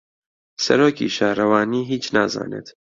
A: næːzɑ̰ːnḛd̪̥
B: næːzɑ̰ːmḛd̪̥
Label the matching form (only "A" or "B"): A